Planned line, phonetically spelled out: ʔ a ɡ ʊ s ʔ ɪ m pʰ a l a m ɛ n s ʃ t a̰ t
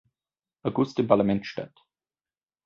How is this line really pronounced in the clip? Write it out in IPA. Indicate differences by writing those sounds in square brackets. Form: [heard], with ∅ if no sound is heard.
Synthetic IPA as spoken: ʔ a ɡ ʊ s [t] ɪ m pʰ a l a m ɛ n [t] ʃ t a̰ t